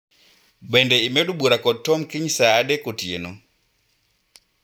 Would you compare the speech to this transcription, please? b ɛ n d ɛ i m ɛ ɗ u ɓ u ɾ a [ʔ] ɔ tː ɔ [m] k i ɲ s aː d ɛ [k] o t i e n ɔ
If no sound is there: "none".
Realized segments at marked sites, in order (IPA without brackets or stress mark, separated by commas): k, m, k